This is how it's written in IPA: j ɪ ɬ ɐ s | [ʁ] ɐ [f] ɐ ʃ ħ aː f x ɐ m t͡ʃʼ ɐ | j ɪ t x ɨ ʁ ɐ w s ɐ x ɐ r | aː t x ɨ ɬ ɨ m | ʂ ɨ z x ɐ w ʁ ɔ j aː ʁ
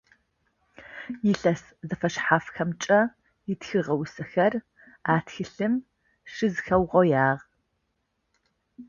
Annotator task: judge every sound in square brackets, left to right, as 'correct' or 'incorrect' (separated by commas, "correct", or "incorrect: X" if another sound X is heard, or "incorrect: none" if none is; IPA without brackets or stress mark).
incorrect: z, correct